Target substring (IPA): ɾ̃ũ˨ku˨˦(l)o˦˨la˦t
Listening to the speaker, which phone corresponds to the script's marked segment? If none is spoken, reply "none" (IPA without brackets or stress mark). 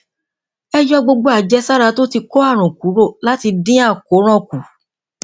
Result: ɾ